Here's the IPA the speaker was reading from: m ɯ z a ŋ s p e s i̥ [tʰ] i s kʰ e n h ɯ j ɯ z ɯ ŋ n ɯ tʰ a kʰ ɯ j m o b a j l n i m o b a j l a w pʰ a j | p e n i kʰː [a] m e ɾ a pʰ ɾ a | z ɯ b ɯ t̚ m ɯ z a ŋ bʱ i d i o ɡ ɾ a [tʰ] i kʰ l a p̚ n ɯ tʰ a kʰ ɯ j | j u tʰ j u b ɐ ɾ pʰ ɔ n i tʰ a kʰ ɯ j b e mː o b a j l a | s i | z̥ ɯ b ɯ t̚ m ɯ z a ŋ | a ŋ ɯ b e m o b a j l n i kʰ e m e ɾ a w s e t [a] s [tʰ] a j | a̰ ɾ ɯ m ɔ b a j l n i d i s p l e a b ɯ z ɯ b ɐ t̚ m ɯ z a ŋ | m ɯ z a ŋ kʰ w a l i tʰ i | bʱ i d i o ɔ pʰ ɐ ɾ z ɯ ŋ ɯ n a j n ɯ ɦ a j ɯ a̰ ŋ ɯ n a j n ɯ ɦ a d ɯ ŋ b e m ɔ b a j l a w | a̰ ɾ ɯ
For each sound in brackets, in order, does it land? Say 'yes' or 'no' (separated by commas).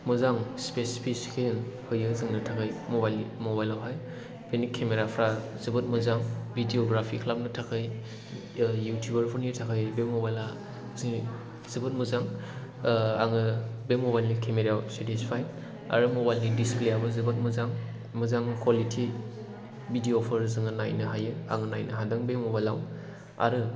no, no, no, no, no